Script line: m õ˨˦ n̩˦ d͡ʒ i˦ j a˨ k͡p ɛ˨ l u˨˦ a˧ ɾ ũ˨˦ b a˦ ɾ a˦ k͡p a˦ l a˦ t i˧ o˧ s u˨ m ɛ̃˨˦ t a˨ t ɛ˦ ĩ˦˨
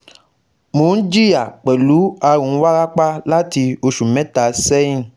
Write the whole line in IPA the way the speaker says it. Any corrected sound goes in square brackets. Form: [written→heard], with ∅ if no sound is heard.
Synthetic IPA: m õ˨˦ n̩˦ d͡ʒ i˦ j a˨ k͡p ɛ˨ l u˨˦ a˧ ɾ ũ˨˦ [b→w] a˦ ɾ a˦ k͡p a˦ l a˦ t i˧ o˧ [s→ʃ] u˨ m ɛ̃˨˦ t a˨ [t→s] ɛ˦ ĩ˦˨